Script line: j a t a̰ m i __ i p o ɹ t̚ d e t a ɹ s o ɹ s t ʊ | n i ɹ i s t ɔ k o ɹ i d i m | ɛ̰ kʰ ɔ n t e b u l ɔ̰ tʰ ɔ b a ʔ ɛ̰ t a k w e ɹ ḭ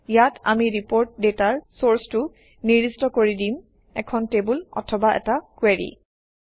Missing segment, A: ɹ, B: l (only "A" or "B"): A